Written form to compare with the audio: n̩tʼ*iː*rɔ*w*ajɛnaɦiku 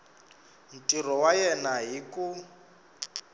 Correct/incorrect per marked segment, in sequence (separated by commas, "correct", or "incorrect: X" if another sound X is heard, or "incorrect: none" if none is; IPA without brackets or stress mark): incorrect: i, correct